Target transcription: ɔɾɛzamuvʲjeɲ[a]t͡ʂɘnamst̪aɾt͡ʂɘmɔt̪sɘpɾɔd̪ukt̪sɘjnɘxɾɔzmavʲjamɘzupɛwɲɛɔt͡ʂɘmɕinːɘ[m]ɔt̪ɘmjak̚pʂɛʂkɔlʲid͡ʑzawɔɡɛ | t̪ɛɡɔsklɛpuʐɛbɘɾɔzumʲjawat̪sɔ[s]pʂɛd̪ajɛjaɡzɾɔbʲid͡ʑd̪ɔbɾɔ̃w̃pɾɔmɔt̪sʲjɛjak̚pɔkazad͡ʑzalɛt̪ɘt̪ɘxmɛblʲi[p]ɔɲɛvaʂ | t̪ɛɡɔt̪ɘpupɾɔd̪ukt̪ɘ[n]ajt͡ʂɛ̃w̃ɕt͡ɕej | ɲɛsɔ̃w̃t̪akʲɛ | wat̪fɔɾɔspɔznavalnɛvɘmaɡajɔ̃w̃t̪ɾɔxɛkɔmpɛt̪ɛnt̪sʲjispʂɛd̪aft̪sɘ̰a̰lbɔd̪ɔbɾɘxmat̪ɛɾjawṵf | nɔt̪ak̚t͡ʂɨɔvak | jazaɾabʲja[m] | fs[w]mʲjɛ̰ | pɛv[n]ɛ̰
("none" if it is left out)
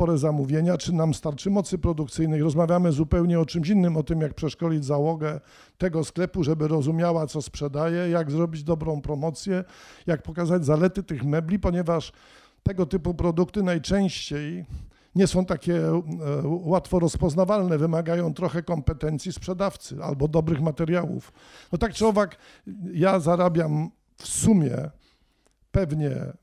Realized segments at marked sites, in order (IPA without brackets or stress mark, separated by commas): a, m, s, p, n, m, u, ɲ